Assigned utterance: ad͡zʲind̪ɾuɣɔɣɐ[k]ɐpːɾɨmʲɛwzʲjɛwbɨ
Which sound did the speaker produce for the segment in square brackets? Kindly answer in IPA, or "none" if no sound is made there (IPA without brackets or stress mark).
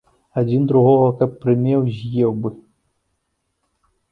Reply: k